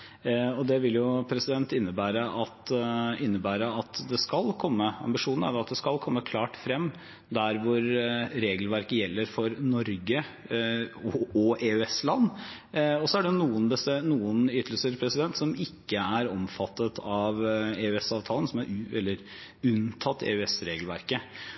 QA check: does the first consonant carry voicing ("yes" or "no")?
yes